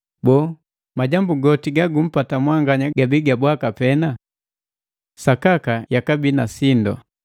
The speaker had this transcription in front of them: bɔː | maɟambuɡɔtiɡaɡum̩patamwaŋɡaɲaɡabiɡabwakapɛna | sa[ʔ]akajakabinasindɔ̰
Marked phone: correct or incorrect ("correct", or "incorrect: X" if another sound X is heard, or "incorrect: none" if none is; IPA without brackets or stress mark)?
incorrect: k